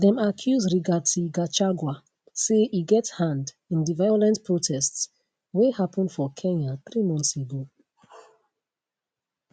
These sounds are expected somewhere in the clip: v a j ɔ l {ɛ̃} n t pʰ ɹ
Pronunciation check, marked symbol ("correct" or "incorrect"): correct